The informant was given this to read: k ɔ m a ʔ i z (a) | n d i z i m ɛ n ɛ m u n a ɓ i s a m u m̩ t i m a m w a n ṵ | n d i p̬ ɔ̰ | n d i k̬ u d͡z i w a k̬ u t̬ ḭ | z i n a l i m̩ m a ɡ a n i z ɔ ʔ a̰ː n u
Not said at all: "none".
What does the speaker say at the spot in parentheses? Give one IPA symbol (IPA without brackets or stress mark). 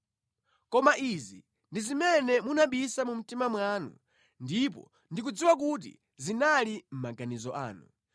i